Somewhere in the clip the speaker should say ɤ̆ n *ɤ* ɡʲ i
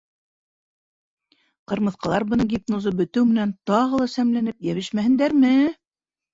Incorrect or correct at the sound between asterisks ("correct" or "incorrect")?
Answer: correct